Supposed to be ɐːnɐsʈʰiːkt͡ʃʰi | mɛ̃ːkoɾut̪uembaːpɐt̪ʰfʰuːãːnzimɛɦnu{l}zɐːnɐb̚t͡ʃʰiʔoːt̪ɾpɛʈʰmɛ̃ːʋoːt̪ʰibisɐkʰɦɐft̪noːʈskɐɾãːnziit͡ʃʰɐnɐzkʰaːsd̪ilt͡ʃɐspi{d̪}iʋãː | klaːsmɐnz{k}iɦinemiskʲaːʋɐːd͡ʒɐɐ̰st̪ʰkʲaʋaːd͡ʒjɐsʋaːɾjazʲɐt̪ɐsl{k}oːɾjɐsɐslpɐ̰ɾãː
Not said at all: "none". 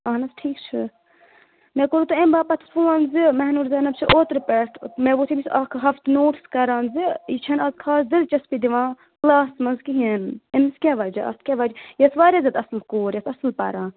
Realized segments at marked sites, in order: ɾ, d̪, k, k

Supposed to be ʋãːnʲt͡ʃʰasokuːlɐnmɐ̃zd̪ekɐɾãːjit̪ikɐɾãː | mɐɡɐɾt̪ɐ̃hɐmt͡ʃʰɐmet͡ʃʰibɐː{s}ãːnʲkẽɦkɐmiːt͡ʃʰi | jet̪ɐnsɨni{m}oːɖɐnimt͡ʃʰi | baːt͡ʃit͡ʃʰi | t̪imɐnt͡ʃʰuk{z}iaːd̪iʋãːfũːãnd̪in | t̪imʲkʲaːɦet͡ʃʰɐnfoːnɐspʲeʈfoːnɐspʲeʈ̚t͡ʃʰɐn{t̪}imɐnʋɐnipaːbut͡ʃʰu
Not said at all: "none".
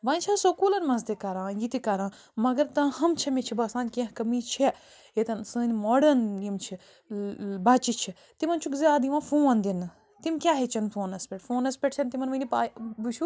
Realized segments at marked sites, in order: s, m, z, t̪

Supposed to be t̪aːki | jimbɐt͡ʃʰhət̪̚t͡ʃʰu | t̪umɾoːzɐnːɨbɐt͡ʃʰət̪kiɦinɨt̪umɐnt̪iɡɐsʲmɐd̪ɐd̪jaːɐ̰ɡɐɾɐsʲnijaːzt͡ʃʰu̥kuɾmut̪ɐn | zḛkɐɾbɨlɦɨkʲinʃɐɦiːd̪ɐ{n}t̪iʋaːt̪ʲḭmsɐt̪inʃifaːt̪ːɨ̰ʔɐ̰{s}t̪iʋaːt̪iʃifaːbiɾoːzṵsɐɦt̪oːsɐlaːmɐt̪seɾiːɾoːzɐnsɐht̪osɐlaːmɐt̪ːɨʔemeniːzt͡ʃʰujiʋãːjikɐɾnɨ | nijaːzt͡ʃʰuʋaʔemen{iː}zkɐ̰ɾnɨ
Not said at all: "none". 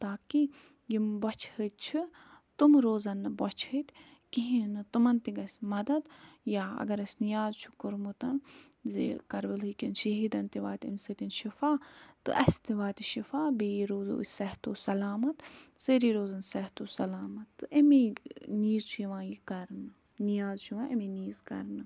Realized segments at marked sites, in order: n, s, iː

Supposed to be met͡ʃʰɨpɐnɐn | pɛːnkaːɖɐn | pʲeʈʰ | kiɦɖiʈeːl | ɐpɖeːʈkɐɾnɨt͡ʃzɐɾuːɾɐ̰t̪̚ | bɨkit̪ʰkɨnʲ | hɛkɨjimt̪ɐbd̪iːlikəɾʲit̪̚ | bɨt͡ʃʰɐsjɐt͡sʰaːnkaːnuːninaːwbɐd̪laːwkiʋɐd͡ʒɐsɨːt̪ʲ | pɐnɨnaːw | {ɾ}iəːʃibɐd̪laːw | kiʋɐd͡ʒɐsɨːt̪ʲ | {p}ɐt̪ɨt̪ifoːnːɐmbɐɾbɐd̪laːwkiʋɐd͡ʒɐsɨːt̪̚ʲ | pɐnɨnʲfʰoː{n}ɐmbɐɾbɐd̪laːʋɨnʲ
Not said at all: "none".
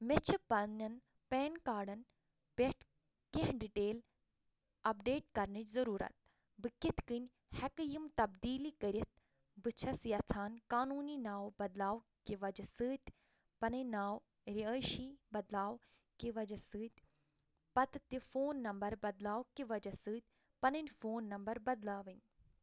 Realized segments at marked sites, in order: ɾ, p, nː

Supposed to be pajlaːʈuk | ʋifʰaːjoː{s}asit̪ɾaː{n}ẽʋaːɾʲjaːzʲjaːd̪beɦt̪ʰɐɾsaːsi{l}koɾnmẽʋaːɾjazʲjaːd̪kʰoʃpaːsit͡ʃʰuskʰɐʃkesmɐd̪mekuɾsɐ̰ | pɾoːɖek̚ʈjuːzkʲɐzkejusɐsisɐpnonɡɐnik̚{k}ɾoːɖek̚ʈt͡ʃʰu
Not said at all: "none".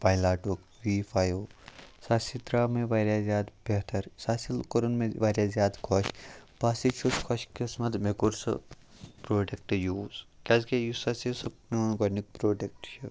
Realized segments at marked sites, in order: s, m, l, p

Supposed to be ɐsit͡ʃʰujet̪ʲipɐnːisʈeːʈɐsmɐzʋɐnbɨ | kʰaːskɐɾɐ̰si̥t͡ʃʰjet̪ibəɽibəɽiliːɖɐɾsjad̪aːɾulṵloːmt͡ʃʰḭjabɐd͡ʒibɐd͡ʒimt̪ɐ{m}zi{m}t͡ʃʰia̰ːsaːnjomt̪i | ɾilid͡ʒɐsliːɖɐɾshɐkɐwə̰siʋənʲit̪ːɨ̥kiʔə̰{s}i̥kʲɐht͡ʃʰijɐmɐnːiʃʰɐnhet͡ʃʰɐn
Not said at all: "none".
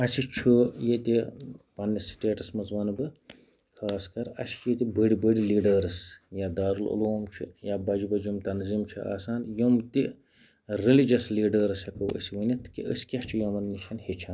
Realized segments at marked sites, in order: n, m, s

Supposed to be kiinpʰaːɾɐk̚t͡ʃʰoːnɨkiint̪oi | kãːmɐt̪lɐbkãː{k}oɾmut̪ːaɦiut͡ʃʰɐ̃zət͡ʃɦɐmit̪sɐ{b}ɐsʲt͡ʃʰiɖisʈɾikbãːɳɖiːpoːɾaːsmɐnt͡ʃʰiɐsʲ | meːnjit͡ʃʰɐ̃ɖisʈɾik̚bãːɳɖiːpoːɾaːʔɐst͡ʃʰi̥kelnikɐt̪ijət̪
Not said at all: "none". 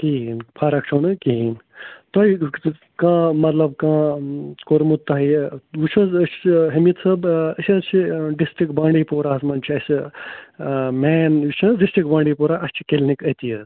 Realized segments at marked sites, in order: k, b

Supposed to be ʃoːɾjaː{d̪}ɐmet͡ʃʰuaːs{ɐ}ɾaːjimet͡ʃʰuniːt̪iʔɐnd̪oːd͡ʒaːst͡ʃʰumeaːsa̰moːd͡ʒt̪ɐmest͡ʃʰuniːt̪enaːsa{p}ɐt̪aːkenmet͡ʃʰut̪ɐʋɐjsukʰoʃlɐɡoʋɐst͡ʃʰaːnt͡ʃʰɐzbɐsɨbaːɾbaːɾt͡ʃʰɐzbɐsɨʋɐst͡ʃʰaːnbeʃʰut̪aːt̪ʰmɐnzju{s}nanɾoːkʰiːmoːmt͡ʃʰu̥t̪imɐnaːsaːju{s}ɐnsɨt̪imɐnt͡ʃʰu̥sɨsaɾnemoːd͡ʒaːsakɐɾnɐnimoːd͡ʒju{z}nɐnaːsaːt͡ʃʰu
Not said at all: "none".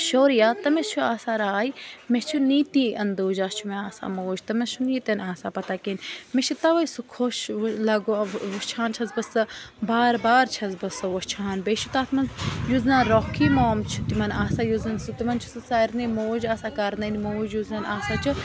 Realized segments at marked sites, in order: t̪, a, p, z, z, z

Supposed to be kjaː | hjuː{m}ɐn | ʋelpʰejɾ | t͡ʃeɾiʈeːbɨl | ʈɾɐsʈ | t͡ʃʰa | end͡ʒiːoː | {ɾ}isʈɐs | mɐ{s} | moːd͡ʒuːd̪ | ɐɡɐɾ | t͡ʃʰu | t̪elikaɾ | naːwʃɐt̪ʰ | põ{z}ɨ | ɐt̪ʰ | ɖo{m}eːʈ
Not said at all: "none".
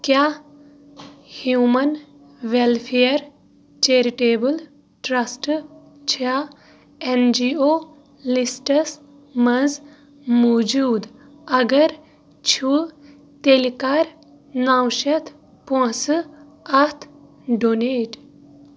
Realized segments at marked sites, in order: m, l, z, s, n

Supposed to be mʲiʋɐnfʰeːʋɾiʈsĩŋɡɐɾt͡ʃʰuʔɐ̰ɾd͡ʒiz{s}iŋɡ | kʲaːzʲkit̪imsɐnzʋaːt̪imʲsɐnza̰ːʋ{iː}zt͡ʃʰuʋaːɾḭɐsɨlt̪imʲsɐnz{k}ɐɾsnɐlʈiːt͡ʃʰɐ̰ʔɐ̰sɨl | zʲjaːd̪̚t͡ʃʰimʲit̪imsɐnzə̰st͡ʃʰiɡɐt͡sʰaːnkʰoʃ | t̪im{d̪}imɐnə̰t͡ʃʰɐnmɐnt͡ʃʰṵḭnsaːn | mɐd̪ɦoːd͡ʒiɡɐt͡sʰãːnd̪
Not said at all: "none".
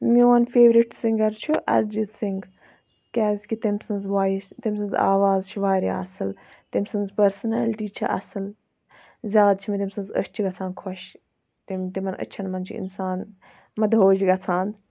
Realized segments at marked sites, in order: s, aː, p, t̪

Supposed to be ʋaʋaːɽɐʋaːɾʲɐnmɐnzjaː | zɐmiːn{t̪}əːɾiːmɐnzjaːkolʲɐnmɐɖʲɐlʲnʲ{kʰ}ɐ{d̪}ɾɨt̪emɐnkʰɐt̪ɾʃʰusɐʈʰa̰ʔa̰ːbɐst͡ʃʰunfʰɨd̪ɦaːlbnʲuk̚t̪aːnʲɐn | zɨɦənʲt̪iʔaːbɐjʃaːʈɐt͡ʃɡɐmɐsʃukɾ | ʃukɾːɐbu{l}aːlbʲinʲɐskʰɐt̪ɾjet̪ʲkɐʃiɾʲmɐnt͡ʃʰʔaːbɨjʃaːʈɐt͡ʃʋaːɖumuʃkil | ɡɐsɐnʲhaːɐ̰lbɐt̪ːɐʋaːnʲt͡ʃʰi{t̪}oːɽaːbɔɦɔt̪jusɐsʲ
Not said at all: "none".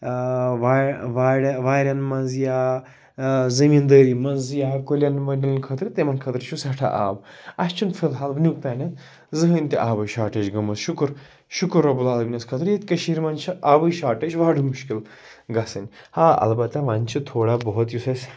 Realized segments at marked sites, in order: d̪, kʰ, t̪, l, t̪ʰ

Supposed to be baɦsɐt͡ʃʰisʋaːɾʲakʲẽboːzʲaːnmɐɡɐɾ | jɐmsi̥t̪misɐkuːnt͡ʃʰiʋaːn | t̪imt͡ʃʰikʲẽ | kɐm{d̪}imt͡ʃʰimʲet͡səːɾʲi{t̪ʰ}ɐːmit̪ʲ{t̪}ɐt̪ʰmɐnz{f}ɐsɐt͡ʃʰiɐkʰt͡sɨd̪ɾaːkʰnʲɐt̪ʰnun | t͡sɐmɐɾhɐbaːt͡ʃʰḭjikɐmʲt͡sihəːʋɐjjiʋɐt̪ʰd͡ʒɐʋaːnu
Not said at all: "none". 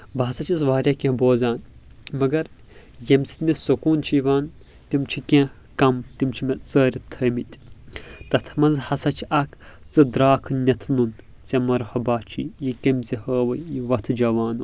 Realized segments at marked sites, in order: t̪, t̪ʰ, t̪, h

